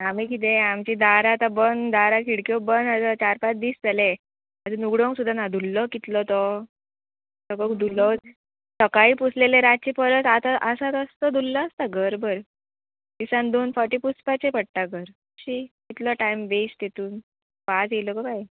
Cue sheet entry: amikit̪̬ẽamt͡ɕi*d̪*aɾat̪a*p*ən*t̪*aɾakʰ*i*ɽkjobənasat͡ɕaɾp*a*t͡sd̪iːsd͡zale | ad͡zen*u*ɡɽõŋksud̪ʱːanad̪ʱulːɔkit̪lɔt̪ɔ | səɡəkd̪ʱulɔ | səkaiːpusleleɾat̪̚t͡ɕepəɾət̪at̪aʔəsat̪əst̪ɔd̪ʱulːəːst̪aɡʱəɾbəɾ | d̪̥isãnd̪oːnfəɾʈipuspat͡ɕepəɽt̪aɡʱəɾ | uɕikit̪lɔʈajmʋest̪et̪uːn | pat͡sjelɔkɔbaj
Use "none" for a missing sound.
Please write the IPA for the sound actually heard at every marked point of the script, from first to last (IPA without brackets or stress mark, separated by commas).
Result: d̪, b, d̪, i, a, u